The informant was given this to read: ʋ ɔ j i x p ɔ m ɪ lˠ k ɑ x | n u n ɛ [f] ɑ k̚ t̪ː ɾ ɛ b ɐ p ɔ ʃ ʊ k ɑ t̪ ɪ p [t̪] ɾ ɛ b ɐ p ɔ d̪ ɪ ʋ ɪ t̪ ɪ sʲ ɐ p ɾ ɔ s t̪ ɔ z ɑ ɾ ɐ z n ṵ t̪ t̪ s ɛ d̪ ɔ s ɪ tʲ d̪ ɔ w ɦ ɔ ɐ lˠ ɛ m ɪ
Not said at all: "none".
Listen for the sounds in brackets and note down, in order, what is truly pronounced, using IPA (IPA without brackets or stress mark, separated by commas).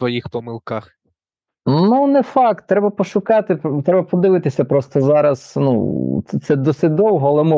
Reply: f, t̪